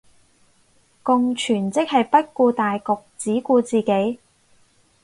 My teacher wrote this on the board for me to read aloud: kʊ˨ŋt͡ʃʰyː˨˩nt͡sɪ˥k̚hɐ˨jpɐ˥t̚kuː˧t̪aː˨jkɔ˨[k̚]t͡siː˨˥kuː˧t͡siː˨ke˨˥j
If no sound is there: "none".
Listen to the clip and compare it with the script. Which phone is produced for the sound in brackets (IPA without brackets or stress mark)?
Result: k̚